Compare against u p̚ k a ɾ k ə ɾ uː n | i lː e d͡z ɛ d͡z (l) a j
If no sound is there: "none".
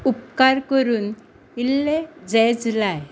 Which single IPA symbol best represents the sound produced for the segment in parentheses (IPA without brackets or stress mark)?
l